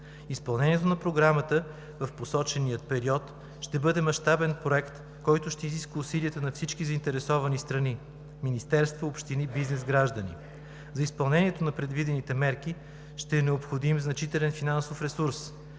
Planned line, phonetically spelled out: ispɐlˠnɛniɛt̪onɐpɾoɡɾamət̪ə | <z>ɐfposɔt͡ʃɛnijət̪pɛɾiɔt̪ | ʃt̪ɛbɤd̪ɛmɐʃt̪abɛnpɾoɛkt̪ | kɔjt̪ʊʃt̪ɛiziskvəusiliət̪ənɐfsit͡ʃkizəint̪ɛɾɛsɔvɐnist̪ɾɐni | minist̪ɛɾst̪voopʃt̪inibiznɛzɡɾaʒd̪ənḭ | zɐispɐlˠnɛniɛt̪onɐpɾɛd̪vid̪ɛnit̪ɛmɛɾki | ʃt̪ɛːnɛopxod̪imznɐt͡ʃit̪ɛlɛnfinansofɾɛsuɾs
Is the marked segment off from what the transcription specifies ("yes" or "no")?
yes